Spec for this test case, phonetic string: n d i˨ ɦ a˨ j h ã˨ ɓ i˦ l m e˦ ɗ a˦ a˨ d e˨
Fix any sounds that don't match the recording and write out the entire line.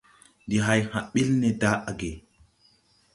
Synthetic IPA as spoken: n d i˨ ɦ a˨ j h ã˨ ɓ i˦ l n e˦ d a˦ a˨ ɡ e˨